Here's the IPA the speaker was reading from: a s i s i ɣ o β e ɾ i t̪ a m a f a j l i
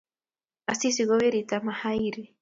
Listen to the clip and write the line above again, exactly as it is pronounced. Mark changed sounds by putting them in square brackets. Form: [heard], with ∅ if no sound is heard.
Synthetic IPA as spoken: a s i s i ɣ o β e ɾ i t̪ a m a [h] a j [ɾ] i